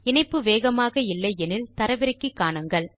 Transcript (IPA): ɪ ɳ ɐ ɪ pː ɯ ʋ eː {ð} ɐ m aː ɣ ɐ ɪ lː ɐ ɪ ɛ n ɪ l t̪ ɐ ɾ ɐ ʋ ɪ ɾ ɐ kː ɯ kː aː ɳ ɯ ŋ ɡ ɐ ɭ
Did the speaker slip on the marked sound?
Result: yes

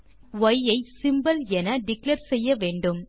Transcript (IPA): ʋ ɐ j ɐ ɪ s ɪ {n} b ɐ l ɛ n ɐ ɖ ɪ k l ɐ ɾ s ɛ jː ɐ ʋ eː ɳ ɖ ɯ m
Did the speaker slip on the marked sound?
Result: yes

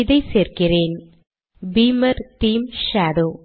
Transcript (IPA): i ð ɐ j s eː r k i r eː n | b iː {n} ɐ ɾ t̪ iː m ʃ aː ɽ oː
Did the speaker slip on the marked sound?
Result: yes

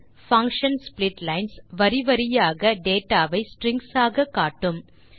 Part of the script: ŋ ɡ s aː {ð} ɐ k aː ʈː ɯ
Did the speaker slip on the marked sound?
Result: yes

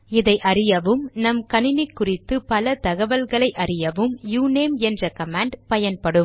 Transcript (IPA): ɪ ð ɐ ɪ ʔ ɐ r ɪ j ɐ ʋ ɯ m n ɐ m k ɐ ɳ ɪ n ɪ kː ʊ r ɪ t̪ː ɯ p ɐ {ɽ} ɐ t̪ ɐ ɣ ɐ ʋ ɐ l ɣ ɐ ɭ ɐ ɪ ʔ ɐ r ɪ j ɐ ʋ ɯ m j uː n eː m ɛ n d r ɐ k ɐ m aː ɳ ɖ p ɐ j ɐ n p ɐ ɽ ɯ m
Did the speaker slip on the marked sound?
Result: yes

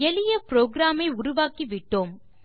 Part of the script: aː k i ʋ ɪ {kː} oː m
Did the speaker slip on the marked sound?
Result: yes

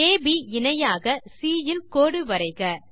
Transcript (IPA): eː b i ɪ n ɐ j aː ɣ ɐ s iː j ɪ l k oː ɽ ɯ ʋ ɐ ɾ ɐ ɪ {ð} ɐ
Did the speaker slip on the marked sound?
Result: yes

